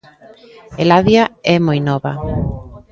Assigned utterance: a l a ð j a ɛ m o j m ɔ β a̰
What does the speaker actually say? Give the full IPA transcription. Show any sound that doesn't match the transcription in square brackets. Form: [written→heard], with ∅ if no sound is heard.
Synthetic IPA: [a→e] l a ð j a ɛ m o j [m→n] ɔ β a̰